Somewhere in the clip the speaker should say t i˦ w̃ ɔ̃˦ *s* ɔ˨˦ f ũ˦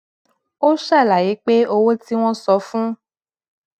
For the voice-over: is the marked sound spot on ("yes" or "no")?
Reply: yes